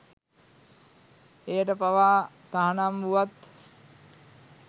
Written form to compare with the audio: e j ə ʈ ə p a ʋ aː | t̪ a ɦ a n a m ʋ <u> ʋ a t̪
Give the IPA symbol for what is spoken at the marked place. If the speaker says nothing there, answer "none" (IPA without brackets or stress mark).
u